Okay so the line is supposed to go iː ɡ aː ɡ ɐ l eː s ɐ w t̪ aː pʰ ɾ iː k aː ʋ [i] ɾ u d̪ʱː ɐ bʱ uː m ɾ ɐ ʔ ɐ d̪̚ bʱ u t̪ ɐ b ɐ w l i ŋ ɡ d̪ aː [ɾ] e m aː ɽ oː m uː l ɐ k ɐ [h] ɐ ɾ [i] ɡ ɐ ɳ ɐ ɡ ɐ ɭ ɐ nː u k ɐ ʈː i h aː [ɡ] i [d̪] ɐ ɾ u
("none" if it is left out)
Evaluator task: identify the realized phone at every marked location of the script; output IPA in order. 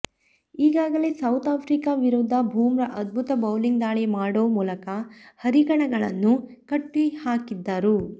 i, ɭ, h, i, k, d̪ː

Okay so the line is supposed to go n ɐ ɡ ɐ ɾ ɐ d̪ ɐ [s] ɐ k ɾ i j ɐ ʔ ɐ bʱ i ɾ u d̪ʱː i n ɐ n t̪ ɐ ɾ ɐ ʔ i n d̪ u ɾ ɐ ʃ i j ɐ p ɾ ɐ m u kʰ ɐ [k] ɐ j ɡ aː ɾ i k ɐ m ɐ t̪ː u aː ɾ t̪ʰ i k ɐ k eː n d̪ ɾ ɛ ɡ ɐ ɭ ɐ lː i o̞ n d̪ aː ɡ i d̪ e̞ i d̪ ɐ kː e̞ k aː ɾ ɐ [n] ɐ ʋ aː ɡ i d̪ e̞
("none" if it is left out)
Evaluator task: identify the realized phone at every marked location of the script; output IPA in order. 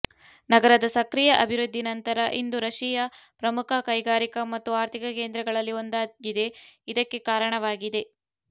s, k, ɳ

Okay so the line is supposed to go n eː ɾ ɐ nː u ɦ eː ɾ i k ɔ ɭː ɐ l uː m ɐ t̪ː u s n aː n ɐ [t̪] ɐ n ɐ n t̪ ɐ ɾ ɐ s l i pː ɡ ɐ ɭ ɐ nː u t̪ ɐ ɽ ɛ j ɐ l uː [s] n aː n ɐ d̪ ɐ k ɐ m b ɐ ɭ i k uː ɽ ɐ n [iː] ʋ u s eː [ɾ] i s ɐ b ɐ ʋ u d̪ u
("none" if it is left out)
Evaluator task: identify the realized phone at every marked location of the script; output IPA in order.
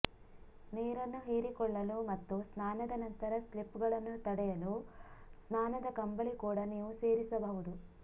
d̪, s, iː, ɾ

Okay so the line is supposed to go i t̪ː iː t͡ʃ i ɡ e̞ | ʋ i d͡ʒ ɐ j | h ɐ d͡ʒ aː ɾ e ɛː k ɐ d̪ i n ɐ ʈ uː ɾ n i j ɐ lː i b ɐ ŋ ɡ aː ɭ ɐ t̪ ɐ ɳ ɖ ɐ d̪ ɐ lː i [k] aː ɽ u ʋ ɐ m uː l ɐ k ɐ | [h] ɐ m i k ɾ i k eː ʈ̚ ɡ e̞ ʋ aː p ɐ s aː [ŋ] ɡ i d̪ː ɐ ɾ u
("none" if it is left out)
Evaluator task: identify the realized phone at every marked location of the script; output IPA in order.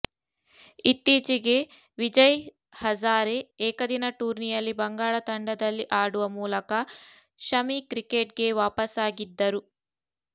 ʔ, ʃ, none

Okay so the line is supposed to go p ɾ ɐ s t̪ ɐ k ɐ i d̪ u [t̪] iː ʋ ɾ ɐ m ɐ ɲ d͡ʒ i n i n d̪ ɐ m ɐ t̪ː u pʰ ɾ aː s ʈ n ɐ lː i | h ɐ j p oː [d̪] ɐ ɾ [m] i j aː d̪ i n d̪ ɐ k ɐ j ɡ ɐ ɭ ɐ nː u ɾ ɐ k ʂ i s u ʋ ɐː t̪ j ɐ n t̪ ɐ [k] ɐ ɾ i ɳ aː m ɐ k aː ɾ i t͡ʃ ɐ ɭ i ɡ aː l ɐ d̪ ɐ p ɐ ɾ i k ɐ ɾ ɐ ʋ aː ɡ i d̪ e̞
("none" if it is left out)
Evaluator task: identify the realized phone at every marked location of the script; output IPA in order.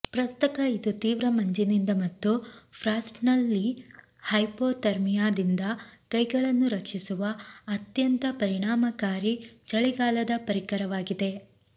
t̪, t̪, m, p

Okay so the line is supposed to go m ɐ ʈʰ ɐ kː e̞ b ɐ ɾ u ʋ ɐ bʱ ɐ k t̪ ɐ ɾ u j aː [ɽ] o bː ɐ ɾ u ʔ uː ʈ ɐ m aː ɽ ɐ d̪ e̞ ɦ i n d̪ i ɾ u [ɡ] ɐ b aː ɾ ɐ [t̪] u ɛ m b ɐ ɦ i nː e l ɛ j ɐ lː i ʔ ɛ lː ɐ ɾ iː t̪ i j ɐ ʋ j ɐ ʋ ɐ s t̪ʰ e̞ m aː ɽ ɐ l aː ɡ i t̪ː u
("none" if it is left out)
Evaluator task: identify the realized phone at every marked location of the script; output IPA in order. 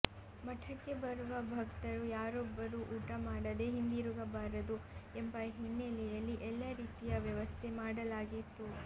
ɾ, ɡ, d̪

